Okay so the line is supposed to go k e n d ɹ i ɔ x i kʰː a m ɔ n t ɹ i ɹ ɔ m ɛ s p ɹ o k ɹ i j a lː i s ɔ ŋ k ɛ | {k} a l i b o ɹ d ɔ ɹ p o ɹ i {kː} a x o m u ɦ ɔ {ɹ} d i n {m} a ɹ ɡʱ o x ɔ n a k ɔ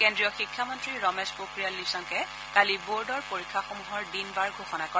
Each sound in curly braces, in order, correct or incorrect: correct, incorrect, correct, incorrect

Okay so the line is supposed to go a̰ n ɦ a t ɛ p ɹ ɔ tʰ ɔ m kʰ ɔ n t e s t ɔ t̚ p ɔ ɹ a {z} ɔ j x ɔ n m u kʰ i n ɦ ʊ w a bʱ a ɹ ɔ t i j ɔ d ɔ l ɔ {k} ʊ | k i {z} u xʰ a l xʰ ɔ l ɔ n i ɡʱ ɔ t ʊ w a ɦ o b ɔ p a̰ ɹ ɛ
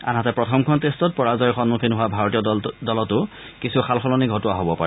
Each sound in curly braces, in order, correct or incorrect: correct, incorrect, incorrect

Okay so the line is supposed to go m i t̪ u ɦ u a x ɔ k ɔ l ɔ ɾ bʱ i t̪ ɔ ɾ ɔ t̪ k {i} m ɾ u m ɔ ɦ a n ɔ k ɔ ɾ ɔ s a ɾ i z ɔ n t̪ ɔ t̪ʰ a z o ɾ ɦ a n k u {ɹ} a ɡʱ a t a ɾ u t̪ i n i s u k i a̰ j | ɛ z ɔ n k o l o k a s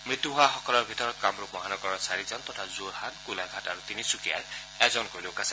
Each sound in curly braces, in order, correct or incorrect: incorrect, incorrect

